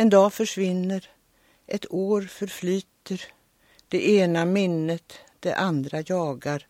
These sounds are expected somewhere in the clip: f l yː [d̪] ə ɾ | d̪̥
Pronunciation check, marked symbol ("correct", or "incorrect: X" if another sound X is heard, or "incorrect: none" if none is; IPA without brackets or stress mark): incorrect: t̪